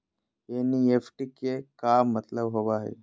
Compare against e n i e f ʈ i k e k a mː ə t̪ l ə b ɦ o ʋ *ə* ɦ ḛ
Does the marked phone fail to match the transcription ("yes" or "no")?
yes